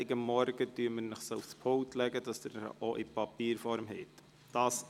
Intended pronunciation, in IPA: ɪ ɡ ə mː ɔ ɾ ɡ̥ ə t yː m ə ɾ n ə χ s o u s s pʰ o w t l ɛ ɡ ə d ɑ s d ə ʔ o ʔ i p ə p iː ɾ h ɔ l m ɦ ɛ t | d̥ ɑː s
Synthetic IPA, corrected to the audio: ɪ ɡ ə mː ɔ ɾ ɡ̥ ə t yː m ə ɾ n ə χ s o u f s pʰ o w t l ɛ ɡ ə d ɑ s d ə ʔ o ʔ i p ɑ p iː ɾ f ɔ ɾ m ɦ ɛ t | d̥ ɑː s